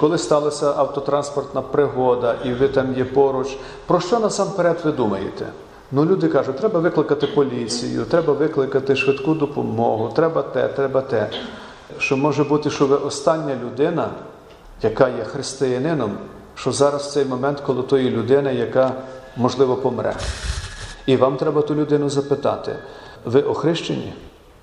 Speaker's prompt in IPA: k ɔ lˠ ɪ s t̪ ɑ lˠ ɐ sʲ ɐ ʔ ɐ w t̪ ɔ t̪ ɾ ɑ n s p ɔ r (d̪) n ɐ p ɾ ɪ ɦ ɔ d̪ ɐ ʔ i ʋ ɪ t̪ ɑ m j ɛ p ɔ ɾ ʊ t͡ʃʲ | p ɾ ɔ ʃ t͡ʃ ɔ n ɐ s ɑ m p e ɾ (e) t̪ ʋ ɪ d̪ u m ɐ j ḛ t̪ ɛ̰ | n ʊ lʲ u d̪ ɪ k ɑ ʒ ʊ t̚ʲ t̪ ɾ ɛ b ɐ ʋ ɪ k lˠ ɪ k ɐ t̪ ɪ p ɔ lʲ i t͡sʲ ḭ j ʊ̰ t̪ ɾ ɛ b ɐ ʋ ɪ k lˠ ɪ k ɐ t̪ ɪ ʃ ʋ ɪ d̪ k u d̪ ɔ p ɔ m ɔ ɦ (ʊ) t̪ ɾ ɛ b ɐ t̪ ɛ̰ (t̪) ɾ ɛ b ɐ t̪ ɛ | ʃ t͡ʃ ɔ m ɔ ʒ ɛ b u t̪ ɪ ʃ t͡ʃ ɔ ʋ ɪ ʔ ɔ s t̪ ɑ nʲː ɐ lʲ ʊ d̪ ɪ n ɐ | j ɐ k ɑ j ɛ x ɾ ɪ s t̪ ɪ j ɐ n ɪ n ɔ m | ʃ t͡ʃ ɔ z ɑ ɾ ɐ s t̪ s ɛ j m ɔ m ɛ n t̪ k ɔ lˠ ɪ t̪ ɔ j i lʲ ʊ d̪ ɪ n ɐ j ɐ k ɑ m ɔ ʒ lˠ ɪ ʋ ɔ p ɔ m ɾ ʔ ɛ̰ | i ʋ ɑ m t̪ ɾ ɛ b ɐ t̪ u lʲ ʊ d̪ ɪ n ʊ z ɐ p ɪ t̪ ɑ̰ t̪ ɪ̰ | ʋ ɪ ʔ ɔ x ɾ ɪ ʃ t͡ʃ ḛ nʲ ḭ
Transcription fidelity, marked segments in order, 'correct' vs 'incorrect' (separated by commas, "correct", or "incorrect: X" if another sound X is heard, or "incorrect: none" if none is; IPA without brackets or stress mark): incorrect: t̪, incorrect: ɛ, correct, correct